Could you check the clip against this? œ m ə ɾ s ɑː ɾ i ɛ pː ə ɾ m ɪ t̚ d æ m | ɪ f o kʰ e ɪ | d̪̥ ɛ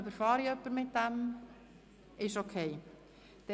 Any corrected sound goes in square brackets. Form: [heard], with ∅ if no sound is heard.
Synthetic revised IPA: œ [b] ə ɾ [f] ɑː ɾ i [œ] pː ə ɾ m ɪ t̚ d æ m | ɪ [ʃ] o kʰ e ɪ | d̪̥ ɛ